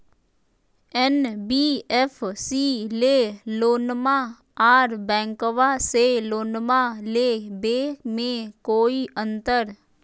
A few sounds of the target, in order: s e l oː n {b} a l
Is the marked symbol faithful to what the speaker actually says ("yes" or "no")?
no